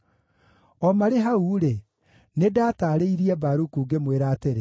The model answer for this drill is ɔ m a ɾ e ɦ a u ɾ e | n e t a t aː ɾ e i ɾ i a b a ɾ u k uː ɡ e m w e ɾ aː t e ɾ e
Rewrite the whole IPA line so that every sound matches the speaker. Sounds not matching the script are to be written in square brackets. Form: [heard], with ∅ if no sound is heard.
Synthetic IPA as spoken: ɔ m a ɾ e ɦ a u ɾ e | n e [d] a t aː ɾ e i ɾ i [ɛ] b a ɾ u k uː ɡ e m w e ɾ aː t e ɾ e